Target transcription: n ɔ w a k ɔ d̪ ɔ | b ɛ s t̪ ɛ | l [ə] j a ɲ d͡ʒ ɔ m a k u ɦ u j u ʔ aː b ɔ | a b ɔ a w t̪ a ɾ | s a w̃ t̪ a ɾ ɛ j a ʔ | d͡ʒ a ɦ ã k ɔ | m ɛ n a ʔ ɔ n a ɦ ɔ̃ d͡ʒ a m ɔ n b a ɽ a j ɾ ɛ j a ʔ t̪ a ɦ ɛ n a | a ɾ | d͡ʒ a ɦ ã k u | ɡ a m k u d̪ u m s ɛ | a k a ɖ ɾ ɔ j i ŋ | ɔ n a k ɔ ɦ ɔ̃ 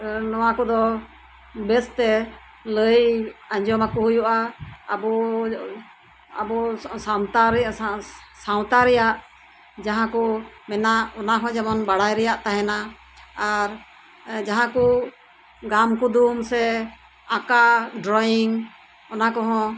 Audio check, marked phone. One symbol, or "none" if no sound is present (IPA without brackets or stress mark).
ə